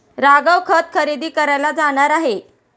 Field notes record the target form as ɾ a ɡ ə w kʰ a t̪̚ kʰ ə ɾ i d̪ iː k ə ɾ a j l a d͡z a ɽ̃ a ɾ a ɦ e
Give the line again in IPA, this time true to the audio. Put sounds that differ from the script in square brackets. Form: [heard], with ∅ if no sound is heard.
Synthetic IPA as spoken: ɾ a ɡ ə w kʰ [ə] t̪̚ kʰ ə ɾ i d̪ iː k ə ɾ a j l a d͡z a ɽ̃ a ɾ a ɦ e